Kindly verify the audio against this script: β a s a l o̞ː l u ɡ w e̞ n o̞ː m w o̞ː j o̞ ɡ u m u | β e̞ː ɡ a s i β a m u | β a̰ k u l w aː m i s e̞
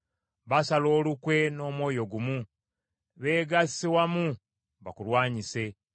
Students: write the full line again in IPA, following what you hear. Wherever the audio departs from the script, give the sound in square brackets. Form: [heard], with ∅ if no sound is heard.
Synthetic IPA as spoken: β a s a l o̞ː l u [k] w e̞ n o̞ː m w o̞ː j o̞ ɡ u m u | β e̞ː ɡ a s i [w] a m u | β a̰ k u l w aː [ɲ] i s e̞